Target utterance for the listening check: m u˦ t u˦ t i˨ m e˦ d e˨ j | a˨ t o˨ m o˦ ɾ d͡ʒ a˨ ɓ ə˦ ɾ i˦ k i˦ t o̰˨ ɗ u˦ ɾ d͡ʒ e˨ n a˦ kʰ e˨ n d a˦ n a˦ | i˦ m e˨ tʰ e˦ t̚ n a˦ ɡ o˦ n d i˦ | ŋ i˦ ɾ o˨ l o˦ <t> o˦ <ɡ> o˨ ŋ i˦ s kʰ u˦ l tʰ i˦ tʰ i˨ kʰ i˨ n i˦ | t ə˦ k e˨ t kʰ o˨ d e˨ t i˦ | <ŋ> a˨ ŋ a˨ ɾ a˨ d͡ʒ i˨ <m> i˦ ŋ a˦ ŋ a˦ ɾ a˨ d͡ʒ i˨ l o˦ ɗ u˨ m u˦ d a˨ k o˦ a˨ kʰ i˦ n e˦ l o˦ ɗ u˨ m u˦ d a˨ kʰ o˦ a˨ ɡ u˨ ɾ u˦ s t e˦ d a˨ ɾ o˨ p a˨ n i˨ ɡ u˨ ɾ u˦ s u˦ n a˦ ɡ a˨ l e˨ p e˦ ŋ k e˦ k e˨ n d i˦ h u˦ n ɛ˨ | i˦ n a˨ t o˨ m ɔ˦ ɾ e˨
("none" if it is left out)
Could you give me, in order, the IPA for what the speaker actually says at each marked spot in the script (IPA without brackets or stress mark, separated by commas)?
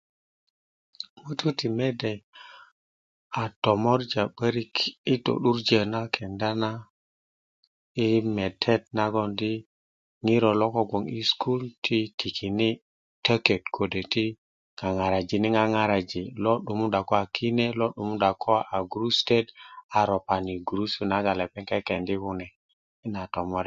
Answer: k, ɡ, ŋ, n